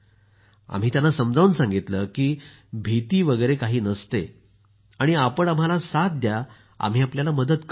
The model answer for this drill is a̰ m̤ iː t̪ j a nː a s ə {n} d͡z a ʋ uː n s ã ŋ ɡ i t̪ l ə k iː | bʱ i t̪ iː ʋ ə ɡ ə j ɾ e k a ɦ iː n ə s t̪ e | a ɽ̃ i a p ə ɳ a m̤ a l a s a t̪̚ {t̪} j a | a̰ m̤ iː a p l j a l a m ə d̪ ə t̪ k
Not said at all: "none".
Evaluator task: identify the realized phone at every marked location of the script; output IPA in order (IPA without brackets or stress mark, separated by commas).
m, d̪